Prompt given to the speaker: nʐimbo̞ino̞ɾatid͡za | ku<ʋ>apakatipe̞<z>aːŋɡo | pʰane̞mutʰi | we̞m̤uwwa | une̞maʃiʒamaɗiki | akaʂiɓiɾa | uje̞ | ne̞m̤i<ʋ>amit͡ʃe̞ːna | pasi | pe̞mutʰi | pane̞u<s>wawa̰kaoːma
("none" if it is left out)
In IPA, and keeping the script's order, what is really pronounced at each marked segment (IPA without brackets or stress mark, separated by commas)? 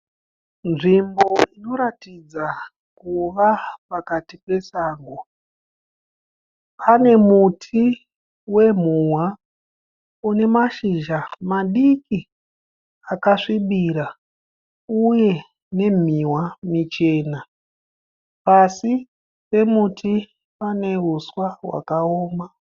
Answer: ʋ, s, w, s